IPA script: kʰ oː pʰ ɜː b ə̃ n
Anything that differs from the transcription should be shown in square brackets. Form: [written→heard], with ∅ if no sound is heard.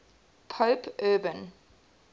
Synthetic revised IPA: [kʰ→pʰ] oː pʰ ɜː b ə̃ n